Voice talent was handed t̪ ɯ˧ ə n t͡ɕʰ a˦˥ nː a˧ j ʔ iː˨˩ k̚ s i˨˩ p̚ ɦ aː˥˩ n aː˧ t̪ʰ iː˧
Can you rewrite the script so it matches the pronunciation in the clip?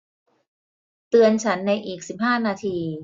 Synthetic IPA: t̪ ɯ˧ ə n t͡ɕʰ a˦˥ nː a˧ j ʔ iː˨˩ k̚ s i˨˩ p̚ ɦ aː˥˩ n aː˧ t̪ʰ iː˧

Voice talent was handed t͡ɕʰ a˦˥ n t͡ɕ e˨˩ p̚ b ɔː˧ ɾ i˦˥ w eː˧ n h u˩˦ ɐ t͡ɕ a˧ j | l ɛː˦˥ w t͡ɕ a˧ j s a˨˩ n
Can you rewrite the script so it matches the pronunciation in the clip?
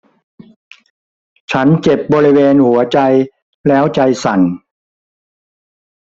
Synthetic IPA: t͡ɕʰ a˦˥ n t͡ɕ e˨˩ p̚ b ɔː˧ ɾ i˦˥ w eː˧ n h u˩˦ ɐ t͡ɕ a˧ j | l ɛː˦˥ w t͡ɕ a˧ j s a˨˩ n

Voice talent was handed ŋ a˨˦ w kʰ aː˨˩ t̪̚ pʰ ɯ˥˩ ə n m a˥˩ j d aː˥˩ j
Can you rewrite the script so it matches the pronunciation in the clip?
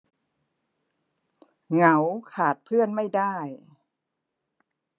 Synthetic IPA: ŋ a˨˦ w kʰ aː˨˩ t̪̚ pʰ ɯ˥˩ ə n m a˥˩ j d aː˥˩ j

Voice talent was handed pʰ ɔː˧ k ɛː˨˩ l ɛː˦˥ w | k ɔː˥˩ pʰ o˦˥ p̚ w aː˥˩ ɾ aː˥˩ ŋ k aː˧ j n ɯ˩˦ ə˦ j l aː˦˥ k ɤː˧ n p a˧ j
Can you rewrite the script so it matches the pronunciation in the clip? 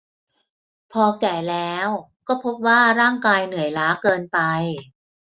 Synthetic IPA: pʰ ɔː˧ k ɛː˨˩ l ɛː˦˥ w | k ɔː˥˩ pʰ o˦˥ p̚ w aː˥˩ ɾ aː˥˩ ŋ k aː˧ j n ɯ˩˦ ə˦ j l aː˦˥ k ɤː˧ n p a˧ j

